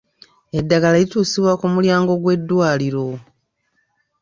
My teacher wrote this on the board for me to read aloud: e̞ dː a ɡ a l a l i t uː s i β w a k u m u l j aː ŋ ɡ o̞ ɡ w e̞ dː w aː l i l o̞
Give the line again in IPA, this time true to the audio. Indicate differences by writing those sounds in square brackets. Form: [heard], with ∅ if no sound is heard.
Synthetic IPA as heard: e̞ dː a ɡ a l a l i t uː s i β w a k u m u l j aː ŋ ɡ o̞ ɡ w e̞ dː w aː l i [ɾ] o̞